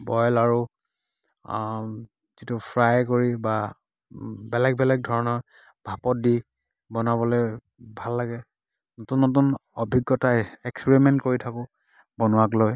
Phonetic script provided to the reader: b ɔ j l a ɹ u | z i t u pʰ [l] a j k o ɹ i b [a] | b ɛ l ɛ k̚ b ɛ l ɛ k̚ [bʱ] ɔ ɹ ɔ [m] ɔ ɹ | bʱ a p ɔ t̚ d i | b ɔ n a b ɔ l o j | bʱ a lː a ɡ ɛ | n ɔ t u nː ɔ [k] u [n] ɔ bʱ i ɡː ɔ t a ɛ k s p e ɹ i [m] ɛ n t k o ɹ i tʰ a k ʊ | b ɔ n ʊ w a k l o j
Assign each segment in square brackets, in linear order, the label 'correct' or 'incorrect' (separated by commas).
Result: incorrect, correct, incorrect, incorrect, incorrect, correct, correct